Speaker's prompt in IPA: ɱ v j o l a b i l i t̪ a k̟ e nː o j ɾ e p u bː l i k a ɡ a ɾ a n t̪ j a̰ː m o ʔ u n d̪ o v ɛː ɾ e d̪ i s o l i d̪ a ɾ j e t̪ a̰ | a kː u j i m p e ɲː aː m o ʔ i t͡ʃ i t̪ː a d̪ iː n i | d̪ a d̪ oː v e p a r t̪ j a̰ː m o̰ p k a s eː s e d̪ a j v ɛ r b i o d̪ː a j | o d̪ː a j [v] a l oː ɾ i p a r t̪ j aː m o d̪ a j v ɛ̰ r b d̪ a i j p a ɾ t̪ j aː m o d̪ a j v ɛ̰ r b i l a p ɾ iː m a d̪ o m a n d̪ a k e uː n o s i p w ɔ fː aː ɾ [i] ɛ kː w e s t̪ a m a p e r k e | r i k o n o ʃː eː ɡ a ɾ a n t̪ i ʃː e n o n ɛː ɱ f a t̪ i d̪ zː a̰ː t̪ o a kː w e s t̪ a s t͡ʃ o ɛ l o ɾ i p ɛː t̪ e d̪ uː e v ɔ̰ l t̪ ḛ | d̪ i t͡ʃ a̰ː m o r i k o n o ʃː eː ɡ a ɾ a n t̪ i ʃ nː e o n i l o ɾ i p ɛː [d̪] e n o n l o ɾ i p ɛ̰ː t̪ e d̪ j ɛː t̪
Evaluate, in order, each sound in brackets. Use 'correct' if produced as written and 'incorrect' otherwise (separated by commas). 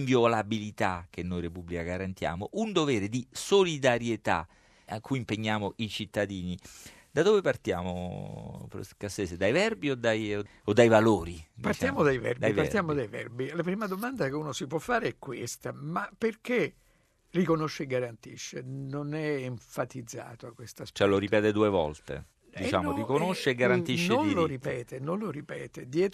correct, incorrect, incorrect